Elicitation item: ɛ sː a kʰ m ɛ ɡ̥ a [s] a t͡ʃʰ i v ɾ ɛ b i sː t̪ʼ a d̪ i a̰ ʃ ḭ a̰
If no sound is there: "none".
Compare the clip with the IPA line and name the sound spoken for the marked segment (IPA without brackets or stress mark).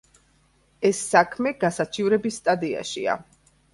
s